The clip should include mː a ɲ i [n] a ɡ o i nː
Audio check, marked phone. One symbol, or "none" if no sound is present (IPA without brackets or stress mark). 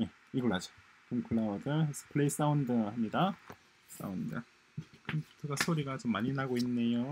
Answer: n